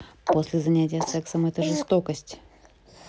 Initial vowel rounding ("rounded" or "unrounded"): rounded